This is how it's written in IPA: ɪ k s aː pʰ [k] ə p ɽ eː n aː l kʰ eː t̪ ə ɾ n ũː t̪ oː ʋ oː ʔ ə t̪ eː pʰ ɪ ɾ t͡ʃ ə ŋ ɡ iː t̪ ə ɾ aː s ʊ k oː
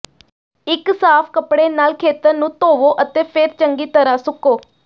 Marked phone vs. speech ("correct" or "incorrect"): correct